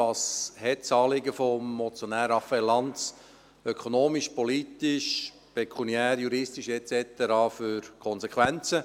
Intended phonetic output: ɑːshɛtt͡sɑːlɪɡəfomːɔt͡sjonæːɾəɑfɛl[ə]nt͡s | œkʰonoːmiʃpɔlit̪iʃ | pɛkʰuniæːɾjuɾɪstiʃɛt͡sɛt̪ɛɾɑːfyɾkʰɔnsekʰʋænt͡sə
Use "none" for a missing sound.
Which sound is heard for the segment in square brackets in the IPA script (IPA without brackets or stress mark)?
ɑ